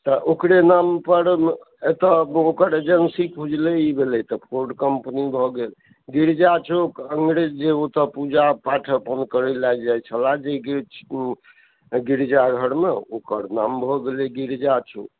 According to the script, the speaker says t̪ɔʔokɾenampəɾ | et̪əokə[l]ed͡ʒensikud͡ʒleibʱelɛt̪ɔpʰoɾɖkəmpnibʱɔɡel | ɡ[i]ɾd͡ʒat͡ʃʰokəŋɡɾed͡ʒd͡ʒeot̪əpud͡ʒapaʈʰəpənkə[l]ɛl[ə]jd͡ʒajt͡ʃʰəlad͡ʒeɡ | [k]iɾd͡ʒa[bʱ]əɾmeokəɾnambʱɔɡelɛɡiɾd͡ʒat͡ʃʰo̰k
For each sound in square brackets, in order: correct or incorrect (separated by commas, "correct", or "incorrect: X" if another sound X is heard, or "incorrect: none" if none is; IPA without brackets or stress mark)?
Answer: incorrect: ɾ, correct, incorrect: ɾ, incorrect: a, incorrect: ɡ, incorrect: ɡʱ